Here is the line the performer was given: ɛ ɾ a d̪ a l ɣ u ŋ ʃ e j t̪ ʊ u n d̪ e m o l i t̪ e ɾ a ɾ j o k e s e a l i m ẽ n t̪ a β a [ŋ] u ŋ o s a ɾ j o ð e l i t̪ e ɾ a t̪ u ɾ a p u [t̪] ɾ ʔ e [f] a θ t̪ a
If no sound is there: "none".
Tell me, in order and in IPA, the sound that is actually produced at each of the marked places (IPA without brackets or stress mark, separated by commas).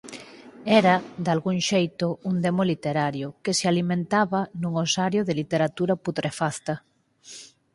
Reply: n, t̪, f